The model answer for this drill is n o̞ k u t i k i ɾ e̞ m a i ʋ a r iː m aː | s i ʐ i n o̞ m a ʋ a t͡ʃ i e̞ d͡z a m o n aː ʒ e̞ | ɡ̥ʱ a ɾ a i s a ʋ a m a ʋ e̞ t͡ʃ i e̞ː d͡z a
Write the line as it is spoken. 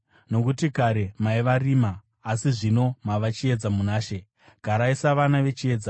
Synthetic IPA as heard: n o̞ k u t i k a ɾ e̞ m a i ʋ a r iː m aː | s i ʐ i n o̞ m a ʋ a t͡ʃ i e̞ d͡z a m u n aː ʃ e̞ | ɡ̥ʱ a ɾ a i s a ʋ a n a ʋ e̞ t͡ʃ i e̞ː d͡z a